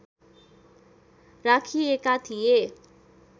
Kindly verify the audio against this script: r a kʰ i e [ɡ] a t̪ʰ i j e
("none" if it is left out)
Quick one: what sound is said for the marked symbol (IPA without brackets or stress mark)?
k